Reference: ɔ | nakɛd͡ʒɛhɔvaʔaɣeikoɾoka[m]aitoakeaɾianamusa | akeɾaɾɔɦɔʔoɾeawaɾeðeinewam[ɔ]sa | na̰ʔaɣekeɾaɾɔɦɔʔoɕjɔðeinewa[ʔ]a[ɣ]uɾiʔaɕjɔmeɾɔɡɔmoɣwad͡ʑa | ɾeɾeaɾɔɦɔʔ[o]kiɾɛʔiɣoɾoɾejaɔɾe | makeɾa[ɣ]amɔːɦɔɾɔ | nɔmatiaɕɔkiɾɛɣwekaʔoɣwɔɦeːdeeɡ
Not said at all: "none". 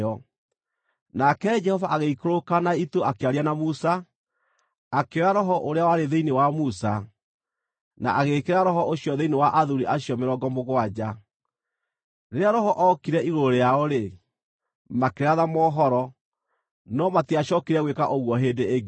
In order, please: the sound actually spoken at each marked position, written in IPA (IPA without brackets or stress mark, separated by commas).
n, u, ʔ, ð, ɔ, ð